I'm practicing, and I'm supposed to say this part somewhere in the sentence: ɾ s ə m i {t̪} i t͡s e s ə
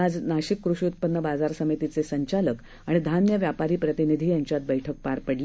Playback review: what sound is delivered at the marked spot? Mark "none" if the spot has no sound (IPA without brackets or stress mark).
t̪